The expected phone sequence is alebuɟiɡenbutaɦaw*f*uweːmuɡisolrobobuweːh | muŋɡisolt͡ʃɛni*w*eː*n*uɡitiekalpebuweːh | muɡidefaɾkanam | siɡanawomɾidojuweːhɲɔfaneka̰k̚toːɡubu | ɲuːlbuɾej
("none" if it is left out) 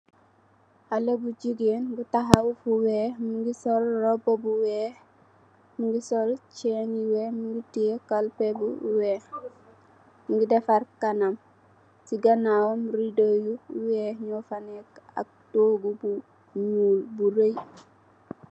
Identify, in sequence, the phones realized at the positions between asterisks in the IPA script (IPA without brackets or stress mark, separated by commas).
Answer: f, w, m